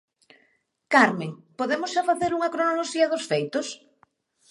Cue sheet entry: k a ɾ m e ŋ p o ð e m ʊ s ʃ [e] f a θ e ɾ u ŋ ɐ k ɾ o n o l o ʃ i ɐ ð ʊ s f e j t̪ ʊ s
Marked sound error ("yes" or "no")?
yes